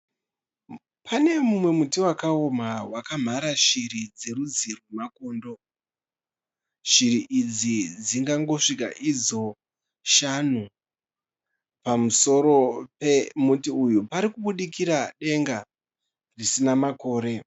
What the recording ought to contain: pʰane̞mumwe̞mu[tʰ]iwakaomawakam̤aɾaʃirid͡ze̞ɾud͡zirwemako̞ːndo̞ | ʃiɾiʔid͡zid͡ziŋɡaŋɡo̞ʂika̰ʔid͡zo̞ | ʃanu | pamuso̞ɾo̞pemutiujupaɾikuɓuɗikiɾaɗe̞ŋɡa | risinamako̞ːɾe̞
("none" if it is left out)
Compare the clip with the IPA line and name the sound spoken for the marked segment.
t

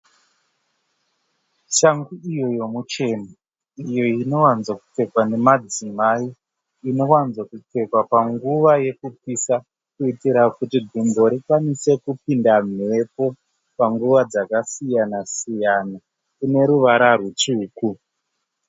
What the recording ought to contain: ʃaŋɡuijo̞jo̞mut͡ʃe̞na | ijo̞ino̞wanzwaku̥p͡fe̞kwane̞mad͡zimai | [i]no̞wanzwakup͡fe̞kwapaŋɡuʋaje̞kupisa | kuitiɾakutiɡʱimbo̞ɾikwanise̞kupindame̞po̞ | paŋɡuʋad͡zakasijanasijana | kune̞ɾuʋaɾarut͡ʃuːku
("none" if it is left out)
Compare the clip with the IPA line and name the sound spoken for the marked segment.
i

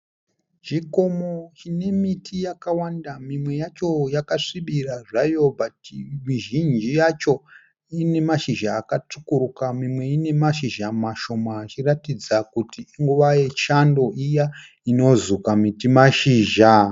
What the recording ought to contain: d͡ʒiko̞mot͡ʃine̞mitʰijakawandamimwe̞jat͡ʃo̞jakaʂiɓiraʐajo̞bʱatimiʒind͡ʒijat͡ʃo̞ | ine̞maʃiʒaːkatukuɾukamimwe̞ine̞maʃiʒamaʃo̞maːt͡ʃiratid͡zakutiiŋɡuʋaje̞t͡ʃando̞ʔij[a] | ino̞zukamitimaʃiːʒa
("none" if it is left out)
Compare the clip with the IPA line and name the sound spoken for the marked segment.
a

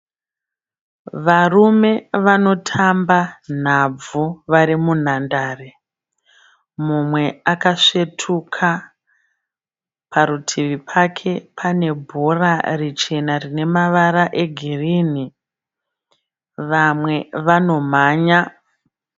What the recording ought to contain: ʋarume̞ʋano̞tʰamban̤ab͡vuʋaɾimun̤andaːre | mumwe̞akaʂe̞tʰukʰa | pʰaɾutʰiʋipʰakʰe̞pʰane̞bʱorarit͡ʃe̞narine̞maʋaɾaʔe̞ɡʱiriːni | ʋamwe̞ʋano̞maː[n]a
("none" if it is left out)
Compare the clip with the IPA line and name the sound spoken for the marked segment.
ɲ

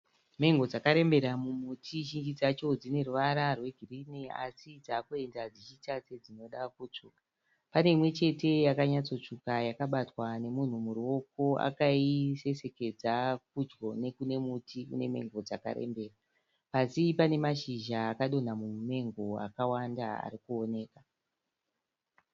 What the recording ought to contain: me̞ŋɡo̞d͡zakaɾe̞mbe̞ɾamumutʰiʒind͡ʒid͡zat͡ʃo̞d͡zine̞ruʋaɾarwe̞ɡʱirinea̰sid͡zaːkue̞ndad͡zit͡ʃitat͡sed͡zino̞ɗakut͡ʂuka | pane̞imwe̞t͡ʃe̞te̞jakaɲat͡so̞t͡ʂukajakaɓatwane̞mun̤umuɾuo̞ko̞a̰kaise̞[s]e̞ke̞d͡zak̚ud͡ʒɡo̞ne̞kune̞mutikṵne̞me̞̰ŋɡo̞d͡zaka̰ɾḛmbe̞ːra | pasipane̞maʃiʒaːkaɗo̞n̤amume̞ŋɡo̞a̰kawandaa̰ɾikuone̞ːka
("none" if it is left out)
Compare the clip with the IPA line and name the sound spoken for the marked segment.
s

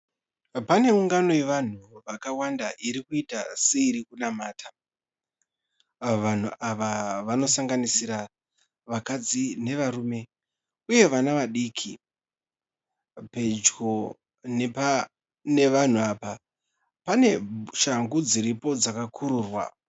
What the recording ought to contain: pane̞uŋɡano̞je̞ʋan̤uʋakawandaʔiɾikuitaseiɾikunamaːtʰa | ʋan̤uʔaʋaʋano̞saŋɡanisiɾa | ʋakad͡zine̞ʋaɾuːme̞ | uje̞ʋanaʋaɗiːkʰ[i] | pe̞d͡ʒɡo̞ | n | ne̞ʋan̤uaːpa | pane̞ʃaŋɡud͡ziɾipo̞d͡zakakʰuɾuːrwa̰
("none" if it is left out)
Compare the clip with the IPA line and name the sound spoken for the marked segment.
i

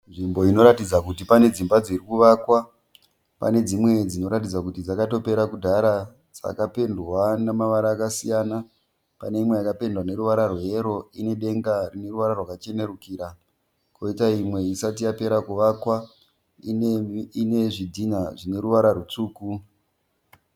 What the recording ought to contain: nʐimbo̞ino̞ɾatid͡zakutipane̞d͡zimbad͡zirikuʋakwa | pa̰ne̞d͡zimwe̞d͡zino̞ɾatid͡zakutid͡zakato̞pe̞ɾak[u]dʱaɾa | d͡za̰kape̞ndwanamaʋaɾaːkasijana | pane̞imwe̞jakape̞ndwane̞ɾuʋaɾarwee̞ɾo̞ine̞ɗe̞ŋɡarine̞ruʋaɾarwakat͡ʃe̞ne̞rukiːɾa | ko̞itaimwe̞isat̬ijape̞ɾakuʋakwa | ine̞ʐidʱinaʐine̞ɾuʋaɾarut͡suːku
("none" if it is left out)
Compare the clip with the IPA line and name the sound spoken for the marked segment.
u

